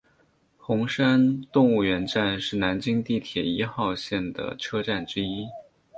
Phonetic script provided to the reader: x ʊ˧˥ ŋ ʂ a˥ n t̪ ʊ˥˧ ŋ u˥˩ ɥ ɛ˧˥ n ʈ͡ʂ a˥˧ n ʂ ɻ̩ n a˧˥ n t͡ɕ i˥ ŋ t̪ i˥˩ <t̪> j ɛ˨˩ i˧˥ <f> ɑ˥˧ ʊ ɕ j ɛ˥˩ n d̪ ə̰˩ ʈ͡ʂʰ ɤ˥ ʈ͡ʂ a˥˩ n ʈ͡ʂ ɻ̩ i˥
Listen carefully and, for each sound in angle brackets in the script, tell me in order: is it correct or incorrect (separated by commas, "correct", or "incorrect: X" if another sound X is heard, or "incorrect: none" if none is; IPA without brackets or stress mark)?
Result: incorrect: t̪ʰ, incorrect: x